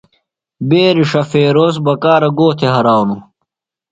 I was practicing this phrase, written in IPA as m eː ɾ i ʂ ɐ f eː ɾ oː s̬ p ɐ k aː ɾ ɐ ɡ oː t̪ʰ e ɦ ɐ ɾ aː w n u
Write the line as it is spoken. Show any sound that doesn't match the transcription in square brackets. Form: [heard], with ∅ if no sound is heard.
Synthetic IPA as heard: [b] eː ɾ i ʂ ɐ f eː ɾ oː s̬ [b] ɐ k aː ɾ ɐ ɡ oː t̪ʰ e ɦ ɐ ɾ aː w n u